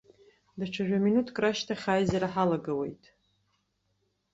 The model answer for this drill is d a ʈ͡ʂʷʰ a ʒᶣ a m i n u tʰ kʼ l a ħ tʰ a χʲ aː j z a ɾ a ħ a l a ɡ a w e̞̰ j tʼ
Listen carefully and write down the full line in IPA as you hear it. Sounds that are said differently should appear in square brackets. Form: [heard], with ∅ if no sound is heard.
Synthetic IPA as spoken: d a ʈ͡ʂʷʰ a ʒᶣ a m i n u tʰ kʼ [r] a [ʃ] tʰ a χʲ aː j z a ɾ a ħ a l a ɡ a w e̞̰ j tʼ